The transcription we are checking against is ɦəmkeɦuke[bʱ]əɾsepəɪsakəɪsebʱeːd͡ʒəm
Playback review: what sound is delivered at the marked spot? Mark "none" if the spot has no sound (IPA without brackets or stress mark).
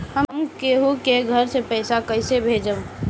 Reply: ɡʱ